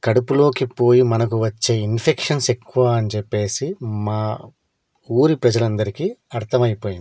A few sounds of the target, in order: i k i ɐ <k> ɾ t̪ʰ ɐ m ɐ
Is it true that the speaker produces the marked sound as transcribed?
no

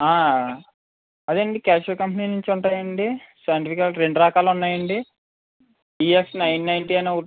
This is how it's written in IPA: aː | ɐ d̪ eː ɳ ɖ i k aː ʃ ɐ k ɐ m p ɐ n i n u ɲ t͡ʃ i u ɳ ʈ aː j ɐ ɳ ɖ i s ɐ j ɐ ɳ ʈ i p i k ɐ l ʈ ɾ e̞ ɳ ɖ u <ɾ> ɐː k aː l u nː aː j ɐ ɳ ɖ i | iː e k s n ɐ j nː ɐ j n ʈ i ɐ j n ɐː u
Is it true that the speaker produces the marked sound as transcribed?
yes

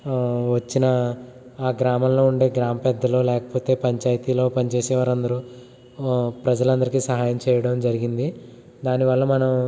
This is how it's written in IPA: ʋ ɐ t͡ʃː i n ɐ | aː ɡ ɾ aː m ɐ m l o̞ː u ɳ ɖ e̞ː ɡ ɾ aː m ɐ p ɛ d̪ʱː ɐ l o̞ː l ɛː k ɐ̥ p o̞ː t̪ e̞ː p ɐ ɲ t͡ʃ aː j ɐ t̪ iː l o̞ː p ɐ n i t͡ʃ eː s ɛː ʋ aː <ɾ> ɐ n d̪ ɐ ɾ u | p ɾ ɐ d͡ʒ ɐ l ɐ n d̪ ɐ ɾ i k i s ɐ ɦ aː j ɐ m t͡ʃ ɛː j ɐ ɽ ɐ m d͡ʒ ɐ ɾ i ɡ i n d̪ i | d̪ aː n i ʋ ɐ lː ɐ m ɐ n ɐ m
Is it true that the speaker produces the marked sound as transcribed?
yes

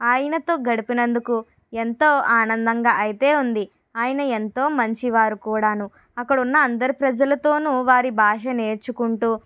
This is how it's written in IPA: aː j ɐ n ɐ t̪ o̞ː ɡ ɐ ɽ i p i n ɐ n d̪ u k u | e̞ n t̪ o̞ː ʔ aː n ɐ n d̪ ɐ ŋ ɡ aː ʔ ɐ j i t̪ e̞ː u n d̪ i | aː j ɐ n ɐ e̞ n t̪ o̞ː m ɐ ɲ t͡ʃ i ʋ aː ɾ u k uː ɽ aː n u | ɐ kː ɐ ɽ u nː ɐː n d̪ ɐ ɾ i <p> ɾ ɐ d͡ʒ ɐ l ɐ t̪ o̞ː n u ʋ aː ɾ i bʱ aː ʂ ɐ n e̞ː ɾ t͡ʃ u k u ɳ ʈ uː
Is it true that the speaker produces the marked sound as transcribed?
yes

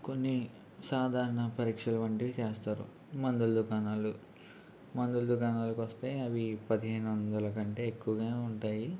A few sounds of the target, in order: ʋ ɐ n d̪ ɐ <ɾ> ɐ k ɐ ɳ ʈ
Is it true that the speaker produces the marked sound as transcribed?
no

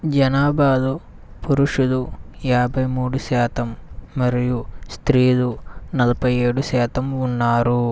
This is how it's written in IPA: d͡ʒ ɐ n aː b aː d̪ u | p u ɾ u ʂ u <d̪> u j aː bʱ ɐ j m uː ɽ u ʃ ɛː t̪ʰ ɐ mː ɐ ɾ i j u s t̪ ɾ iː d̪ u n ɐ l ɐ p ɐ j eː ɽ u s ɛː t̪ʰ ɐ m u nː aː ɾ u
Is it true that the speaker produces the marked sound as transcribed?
yes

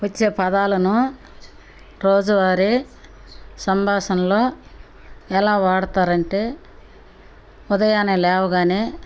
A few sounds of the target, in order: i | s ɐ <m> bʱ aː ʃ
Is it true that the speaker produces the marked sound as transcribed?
yes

